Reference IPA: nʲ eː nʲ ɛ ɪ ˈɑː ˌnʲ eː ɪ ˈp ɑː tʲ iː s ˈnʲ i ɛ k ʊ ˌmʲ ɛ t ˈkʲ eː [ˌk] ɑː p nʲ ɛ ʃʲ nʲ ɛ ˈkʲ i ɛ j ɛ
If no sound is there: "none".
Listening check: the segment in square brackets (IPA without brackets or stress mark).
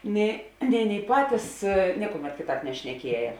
t